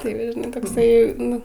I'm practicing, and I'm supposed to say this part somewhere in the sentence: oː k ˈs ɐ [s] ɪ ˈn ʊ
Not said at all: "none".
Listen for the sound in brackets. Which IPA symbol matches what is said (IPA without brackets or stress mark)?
none